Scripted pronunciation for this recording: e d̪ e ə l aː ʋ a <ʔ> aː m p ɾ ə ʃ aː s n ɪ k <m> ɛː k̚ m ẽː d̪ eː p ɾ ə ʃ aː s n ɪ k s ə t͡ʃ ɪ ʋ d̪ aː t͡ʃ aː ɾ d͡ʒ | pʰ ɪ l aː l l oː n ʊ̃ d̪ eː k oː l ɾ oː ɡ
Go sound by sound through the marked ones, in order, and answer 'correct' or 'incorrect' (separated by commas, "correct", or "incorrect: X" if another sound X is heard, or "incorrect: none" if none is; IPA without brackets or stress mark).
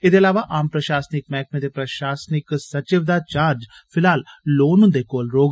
correct, correct